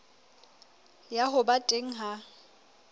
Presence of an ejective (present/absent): present